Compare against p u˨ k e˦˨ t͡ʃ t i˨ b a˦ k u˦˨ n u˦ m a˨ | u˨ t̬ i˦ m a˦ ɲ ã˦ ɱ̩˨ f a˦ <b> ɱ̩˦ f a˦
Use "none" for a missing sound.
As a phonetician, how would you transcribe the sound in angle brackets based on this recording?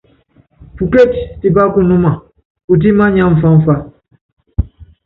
none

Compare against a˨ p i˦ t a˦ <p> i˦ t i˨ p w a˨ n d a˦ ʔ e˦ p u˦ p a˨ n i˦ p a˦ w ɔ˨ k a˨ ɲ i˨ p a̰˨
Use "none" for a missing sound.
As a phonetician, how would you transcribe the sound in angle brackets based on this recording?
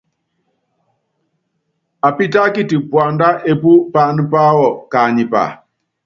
k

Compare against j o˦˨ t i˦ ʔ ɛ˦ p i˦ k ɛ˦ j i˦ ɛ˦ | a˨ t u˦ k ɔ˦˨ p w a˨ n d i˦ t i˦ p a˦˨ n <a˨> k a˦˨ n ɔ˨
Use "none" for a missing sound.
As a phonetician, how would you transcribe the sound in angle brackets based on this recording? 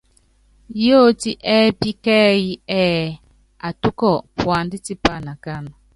a˨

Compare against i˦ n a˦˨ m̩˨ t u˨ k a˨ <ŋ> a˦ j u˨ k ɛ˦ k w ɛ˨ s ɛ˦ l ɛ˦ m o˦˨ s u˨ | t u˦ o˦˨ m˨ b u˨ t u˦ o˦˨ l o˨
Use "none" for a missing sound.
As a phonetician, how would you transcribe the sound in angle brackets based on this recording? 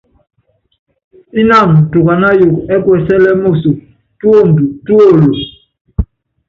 n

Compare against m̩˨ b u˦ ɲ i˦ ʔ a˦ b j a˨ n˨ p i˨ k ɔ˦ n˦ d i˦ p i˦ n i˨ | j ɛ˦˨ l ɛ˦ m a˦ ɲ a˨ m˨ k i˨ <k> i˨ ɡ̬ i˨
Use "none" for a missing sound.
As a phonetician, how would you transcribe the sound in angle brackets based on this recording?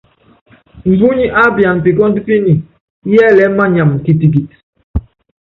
t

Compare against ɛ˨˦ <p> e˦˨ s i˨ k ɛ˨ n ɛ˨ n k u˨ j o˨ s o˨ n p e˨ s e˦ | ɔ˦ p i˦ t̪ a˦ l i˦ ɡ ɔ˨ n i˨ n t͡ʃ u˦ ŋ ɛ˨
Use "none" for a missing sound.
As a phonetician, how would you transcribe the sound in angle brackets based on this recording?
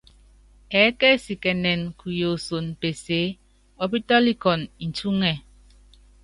k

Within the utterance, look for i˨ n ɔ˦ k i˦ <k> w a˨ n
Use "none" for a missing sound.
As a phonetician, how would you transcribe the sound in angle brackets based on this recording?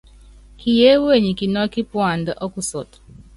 p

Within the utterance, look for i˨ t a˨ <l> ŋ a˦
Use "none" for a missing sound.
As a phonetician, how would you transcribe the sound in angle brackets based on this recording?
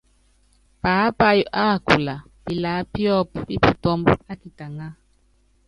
none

